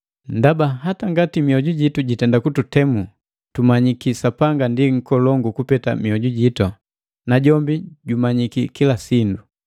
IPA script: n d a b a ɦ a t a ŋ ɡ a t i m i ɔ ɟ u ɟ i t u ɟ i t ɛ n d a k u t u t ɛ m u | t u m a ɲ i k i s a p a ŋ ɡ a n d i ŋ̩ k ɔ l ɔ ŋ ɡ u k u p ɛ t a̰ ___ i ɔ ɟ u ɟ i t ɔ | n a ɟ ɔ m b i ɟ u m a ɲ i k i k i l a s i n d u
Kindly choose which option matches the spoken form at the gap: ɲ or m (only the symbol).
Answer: m